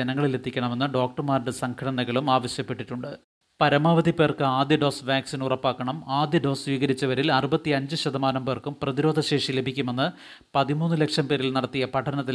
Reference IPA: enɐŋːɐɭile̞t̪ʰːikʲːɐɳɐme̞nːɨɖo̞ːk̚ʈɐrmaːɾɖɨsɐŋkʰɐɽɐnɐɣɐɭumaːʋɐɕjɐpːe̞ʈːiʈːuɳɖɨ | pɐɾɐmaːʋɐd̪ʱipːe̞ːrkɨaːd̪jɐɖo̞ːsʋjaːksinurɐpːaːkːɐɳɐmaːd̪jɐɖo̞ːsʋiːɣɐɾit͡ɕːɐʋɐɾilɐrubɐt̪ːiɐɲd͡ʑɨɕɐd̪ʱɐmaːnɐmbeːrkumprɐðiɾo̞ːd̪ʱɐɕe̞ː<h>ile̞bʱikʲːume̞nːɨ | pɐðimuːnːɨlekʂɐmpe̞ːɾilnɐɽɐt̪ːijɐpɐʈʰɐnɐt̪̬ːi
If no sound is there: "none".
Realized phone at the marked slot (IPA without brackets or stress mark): ʂ